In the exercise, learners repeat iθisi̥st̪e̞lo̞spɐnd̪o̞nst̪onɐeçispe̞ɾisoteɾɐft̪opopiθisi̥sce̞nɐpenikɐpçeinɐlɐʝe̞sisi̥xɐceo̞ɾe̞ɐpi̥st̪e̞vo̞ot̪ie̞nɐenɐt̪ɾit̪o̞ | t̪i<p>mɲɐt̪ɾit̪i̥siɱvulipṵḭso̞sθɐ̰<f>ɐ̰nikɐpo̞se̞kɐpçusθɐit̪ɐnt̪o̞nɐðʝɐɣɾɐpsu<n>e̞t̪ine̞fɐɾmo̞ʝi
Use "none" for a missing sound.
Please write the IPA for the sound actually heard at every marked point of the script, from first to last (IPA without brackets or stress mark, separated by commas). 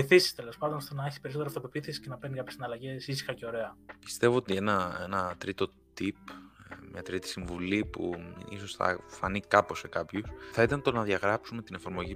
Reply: p, f, m